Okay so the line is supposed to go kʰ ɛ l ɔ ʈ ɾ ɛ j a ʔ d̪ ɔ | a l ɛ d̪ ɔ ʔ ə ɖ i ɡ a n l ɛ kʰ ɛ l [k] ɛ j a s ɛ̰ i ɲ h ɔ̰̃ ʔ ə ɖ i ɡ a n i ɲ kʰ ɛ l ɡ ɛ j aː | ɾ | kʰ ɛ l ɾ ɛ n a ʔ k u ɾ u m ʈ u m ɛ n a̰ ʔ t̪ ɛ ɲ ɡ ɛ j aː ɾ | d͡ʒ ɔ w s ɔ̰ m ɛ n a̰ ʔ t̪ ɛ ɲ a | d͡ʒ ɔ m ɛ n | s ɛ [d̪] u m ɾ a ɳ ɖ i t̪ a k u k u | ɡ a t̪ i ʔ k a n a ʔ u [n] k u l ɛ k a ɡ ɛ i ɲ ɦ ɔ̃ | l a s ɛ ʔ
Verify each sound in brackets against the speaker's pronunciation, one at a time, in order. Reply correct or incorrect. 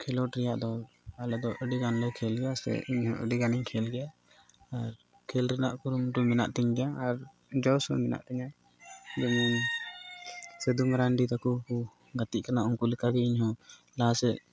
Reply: incorrect, correct, incorrect

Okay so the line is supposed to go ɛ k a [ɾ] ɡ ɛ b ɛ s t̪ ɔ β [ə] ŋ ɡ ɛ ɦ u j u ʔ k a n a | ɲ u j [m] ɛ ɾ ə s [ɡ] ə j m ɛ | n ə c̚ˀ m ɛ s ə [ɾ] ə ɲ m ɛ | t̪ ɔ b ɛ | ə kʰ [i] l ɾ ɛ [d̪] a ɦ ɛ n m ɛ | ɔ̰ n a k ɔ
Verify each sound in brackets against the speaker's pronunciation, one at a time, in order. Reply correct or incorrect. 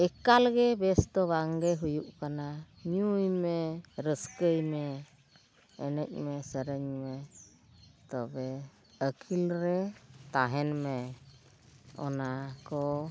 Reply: incorrect, incorrect, correct, incorrect, correct, correct, incorrect

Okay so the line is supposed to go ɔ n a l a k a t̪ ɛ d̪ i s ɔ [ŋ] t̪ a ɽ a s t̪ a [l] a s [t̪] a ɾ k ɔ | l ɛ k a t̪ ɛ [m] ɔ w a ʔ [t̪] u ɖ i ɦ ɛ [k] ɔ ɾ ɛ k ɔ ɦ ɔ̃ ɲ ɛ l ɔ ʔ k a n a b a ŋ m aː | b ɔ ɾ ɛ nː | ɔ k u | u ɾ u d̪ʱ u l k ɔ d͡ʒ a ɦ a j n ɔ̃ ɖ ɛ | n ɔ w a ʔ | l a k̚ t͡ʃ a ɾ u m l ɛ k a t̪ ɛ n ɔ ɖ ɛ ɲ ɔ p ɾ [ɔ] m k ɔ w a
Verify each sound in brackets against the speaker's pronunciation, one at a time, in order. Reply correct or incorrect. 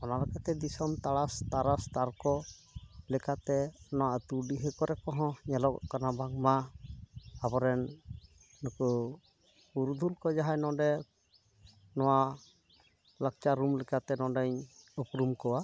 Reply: incorrect, incorrect, correct, incorrect, correct, correct, incorrect

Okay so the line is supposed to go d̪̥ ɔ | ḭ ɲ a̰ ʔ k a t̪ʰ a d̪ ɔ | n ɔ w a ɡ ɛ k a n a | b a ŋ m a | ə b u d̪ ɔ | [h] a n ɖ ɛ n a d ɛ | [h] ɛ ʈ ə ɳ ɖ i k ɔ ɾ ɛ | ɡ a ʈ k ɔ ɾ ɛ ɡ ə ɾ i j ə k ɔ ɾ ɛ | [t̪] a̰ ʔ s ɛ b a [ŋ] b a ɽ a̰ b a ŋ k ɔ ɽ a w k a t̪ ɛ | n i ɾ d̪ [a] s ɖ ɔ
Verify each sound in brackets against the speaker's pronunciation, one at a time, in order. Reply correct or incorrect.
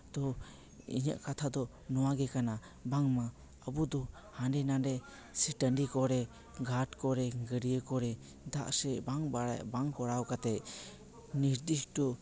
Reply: correct, incorrect, incorrect, correct, incorrect

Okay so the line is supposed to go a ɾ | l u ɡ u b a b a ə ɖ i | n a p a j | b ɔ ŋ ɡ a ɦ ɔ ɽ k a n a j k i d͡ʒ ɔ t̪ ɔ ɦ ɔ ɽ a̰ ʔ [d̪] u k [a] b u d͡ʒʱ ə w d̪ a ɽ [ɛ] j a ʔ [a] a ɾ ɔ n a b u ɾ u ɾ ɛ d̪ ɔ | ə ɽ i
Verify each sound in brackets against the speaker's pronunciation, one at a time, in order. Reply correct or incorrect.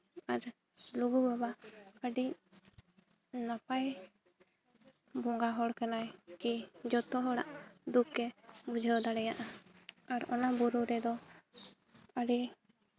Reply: correct, incorrect, correct, correct

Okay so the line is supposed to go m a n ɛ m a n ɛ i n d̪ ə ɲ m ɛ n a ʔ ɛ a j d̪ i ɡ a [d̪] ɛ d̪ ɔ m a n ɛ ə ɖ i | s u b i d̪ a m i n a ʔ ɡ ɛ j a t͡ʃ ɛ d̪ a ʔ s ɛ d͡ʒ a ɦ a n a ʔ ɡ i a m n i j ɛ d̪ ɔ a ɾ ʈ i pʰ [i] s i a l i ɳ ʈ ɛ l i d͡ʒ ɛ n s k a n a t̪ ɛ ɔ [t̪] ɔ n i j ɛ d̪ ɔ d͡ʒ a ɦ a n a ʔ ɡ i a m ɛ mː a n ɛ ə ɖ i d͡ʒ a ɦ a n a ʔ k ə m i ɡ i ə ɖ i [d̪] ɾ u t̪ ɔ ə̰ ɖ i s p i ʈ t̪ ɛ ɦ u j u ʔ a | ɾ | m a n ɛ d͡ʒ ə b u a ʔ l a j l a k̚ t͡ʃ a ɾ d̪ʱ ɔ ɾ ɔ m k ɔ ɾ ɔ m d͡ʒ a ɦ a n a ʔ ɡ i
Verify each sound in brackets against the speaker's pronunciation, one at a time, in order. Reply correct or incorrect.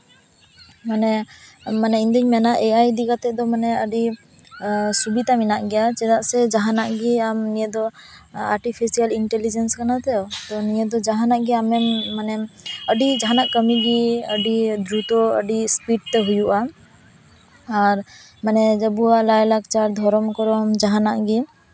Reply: incorrect, correct, correct, correct

